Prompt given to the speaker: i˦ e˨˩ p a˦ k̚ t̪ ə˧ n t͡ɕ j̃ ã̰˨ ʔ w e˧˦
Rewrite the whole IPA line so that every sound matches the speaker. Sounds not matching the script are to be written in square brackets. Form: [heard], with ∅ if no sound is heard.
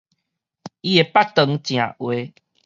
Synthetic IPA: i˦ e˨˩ p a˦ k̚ t̪ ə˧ [ŋ] t͡ɕ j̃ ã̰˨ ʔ w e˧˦